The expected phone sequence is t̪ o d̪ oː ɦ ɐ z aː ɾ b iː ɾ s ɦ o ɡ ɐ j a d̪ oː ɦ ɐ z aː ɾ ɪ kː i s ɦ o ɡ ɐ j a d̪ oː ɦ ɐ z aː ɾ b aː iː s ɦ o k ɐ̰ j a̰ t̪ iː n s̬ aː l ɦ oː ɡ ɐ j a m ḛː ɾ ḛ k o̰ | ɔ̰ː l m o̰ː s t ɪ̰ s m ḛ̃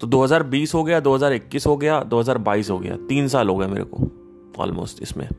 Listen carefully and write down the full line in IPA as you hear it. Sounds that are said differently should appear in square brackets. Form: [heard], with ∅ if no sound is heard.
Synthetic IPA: t̪ o d̪ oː ɦ ɐ z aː ɾ b iː [∅] s ɦ o ɡ ɐ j a d̪ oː ɦ ɐ z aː ɾ ɪ kː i s ɦ o ɡ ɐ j a d̪ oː ɦ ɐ z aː ɾ b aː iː s ɦ o [ɡ] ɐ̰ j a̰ t̪ iː n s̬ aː l ɦ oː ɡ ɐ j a m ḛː ɾ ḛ k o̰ | ɔ̰ː l m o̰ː s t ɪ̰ s m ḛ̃